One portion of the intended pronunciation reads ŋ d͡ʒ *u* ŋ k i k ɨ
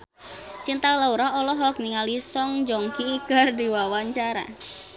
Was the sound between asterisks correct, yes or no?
no